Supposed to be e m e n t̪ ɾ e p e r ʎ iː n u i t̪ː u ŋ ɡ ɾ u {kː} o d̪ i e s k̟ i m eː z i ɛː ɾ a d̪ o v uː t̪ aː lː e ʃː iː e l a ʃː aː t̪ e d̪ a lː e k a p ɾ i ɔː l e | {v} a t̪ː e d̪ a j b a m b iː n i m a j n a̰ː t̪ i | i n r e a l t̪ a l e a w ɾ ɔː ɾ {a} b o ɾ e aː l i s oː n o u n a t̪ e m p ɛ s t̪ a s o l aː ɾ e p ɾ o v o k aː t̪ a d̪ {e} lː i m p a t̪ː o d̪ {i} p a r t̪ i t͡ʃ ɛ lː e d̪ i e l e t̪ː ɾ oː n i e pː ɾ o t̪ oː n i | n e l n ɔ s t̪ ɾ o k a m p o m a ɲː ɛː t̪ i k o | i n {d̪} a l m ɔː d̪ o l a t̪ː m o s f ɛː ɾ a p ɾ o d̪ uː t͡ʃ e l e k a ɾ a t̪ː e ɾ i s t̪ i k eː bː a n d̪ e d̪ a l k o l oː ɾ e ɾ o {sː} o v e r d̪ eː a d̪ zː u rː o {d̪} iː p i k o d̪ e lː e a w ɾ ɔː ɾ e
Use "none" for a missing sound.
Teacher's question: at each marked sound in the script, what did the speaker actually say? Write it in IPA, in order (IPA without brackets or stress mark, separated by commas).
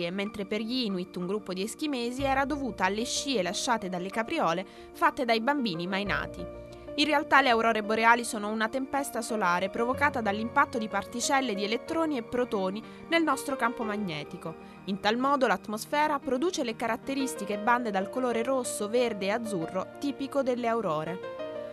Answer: pː, f, e, a, i, t̪, sː, t̪